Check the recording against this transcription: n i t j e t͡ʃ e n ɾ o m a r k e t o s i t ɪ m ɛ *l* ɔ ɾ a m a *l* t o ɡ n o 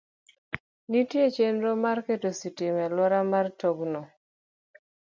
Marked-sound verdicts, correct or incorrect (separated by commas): correct, incorrect